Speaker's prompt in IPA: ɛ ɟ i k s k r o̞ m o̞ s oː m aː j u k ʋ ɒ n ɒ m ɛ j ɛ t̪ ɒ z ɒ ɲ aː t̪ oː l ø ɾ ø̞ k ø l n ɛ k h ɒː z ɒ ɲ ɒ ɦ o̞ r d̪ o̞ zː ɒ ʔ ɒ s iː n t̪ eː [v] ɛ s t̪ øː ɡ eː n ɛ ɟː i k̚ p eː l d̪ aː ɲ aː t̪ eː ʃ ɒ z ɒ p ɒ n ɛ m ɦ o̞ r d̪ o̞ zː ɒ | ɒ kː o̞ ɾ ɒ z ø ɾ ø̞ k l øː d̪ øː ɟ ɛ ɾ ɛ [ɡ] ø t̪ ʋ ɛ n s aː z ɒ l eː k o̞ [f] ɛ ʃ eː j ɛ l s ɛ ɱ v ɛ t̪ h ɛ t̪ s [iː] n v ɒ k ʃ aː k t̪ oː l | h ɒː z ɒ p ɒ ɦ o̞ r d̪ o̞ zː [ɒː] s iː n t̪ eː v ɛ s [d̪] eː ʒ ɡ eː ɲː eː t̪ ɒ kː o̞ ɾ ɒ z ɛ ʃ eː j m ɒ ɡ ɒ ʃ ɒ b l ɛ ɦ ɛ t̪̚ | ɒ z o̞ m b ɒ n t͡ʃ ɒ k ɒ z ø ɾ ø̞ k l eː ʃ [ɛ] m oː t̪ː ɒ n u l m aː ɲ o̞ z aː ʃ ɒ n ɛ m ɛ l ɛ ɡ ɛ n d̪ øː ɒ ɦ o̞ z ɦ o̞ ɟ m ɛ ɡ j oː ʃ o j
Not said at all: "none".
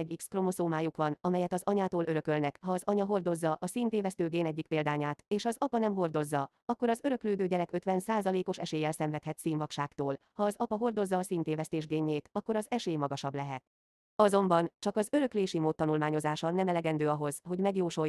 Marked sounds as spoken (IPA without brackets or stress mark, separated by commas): v, k, ʃ, iː, ɒː, t̪, i